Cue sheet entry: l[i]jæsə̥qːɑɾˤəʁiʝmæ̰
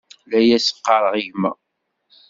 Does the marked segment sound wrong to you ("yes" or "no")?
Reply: yes